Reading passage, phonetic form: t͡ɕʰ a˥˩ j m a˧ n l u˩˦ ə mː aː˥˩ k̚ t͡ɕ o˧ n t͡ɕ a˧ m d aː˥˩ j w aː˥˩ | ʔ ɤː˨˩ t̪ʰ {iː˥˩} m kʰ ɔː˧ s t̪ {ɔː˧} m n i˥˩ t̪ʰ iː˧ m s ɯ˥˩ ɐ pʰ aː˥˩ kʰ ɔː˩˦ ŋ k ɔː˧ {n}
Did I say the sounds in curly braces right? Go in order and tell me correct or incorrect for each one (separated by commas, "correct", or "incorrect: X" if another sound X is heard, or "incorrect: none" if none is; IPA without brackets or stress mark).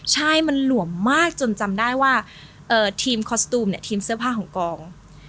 incorrect: iː˧, incorrect: uː˧, incorrect: ŋ